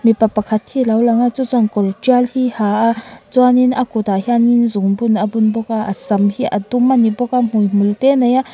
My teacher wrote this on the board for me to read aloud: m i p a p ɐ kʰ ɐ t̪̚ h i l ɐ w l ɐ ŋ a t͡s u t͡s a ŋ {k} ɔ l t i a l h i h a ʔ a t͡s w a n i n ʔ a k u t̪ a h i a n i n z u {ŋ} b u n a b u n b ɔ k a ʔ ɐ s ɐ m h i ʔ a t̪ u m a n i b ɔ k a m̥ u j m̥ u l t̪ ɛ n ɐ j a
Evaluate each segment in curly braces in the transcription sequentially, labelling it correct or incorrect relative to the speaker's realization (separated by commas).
correct, correct